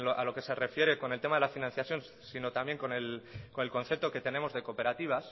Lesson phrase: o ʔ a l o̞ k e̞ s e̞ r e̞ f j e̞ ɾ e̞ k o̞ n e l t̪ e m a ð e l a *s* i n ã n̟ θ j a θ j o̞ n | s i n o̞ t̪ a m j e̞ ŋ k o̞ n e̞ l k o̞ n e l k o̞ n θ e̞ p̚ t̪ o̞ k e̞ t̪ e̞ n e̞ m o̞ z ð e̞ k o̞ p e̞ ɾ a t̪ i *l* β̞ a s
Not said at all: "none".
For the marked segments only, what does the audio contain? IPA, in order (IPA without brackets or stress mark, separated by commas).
f, none